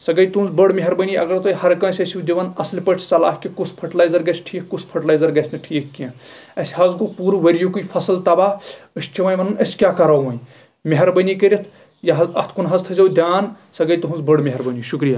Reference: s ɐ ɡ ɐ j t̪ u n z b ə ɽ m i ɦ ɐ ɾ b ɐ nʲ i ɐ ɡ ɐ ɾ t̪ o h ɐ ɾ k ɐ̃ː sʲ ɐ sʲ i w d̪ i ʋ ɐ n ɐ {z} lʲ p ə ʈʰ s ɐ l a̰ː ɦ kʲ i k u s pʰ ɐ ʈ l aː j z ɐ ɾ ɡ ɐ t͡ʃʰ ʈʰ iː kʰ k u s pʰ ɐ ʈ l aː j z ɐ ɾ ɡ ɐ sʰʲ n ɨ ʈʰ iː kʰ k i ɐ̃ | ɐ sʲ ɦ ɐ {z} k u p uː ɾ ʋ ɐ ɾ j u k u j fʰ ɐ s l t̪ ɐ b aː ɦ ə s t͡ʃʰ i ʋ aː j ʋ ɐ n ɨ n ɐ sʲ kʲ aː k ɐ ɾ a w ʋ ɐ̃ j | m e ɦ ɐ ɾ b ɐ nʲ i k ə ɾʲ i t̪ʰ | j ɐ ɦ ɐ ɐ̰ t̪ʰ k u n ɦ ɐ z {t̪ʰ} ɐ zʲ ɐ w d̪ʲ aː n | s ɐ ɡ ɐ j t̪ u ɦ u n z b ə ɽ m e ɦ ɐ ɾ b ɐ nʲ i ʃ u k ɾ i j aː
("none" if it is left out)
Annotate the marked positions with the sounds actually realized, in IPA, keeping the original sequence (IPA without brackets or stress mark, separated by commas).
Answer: s, z, t̪ʰ